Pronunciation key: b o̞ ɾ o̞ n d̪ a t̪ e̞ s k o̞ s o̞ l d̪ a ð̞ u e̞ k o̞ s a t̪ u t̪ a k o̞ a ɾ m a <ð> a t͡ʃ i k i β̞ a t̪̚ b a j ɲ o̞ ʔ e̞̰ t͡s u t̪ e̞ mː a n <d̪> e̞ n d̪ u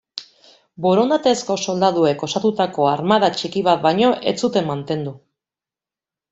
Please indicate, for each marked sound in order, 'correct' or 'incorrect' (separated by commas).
correct, incorrect